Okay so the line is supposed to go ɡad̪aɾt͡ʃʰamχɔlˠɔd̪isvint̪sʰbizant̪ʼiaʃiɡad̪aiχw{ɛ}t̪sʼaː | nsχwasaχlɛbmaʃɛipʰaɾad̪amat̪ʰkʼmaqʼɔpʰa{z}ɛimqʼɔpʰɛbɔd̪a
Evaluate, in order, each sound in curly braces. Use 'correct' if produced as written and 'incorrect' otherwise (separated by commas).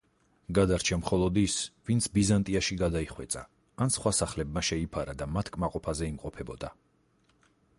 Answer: correct, correct